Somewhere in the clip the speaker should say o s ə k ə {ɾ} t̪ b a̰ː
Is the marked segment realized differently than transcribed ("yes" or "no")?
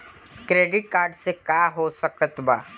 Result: yes